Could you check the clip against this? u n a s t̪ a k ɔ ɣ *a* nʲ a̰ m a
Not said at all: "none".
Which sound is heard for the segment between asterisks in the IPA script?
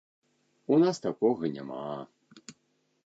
ɐ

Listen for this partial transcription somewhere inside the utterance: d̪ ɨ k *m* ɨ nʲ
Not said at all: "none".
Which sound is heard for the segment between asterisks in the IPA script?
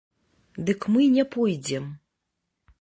m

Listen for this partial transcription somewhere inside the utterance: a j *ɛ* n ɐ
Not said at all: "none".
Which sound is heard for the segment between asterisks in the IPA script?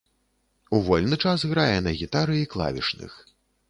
ɛ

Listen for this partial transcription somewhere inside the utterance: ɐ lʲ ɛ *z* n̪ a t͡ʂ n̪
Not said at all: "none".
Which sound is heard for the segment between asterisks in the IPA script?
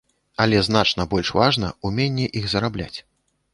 z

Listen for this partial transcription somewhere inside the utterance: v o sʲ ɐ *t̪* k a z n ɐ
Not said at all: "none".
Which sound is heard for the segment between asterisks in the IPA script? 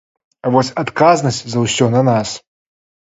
t̪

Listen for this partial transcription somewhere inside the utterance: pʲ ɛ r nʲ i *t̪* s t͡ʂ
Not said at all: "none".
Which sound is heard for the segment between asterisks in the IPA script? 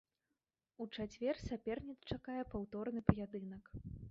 t̪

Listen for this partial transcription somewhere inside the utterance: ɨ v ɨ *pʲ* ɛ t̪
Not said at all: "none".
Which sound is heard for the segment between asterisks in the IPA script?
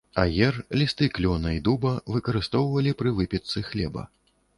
pʲ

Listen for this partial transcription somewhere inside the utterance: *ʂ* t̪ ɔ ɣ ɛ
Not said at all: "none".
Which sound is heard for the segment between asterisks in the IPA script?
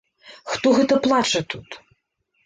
x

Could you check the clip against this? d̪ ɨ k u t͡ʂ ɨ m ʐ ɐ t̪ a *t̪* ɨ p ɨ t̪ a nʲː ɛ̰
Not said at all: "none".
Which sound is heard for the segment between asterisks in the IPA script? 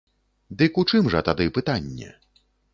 d̪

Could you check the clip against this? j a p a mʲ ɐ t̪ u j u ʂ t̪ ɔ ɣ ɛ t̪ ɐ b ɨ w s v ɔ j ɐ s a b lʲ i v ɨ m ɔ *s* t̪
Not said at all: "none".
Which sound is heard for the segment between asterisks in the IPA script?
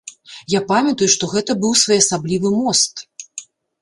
s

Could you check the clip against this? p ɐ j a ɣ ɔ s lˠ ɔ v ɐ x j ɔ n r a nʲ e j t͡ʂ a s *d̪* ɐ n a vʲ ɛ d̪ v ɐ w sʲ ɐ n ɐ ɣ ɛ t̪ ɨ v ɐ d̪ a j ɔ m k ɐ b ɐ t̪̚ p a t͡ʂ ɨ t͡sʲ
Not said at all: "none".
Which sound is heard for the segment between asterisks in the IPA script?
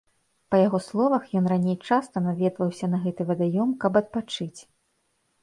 t̪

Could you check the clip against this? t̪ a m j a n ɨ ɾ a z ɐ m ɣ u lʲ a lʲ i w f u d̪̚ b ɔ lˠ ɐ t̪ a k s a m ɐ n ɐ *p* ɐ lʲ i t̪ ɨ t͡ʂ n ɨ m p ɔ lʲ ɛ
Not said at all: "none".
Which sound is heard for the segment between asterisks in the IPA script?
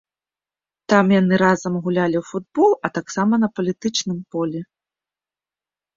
p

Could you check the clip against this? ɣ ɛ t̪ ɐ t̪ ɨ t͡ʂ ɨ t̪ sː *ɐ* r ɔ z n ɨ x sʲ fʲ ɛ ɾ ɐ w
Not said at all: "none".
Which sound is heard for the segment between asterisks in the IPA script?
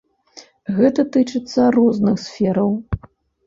ɐ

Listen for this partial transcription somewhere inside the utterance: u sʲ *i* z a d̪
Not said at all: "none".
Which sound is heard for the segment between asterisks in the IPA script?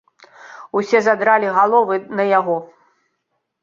ɛ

